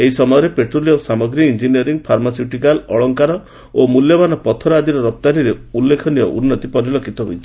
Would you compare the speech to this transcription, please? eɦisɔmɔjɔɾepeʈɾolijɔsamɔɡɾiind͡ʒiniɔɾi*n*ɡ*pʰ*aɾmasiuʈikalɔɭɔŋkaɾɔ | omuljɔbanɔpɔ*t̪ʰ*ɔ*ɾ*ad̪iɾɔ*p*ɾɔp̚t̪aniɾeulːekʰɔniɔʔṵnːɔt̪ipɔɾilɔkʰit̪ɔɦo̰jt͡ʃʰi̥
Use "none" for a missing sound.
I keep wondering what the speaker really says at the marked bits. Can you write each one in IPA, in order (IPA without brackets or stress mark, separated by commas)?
ŋ, pʰ, t̪ʰ, ɾ, none